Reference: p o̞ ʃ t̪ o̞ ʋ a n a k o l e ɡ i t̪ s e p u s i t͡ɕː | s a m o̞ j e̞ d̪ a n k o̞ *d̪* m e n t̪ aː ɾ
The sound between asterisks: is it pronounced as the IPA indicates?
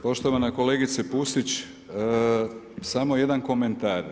no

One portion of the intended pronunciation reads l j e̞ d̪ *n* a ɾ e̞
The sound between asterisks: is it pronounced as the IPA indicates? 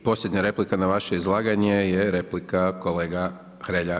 no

